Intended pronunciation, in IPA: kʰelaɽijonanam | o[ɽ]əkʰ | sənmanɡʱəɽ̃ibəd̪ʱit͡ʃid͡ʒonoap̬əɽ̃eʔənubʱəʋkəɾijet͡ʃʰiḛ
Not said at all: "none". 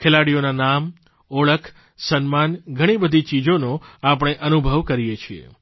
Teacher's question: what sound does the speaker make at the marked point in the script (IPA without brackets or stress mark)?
ɭ